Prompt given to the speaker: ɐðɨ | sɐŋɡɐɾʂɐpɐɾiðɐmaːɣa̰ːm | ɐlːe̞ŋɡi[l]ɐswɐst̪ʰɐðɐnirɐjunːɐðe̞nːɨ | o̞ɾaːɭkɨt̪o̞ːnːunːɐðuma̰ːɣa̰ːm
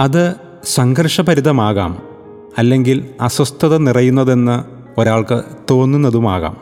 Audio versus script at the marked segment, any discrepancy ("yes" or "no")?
no